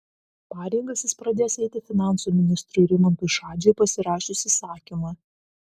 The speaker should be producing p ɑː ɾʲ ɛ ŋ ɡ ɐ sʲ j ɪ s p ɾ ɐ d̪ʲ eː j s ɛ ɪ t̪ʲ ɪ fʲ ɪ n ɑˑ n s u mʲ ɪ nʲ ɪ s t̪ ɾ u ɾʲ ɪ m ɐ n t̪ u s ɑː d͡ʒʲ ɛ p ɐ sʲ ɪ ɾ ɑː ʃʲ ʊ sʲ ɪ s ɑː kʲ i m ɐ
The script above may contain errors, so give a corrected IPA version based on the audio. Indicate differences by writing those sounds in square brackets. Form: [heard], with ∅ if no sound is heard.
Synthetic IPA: p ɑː ɾʲ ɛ ŋ ɡ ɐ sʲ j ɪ s p ɾ ɐ d̪ʲ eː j s ɛ ɪ t̪ʲ ɪ fʲ ɪ n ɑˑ n s u mʲ ɪ nʲ ɪ s t̪ ɾ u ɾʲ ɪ m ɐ n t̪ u [ʃ] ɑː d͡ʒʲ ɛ p ɐ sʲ ɪ ɾ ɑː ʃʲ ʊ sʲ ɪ s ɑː kʲ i m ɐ